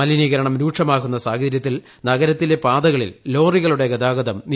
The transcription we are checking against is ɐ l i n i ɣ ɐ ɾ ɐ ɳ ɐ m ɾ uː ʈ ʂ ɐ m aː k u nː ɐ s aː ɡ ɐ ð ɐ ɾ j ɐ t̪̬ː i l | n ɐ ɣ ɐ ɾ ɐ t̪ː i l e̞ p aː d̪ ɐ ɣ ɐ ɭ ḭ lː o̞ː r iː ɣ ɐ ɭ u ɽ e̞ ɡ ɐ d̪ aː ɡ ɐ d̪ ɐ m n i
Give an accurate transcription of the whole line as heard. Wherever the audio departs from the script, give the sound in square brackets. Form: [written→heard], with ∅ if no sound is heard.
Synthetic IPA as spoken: ɐ l i n i ɣ ɐ ɾ ɐ ɳ ɐ m ɾ uː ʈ ʂ ɐ m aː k u nː ɐ s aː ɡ ɐ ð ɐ ɾ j ɐ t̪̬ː i l | n ɐ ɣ ɐ ɾ ɐ t̪ː i l e̞ p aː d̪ ɐ ɣ ɐ ɭ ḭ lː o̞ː r [iː→i] ɣ ɐ ɭ u ɽ e̞ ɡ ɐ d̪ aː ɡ ɐ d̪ ɐ m n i